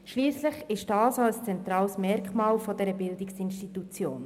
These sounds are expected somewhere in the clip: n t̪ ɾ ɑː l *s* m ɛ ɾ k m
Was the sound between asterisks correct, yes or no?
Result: yes